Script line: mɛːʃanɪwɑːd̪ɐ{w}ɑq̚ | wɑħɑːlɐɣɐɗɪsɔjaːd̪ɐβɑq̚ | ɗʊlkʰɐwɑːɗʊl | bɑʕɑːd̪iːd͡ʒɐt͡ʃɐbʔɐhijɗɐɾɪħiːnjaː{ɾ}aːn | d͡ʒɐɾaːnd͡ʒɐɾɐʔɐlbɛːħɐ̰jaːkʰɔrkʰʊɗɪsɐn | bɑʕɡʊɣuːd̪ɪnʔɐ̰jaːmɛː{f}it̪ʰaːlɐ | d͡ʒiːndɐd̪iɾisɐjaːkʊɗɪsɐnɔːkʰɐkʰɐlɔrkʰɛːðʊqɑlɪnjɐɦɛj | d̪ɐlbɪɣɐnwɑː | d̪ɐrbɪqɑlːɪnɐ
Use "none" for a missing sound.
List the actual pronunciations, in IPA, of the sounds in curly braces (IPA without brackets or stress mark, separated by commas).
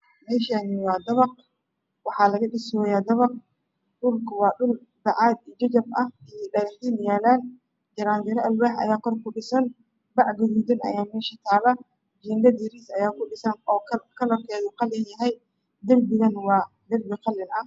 β, l, ʃ